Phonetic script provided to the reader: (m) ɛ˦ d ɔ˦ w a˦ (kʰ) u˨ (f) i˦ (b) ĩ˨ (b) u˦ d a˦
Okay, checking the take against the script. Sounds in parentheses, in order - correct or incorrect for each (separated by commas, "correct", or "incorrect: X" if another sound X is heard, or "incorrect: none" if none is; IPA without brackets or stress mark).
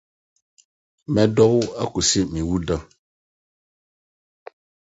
correct, incorrect: k, incorrect: s, incorrect: m, incorrect: w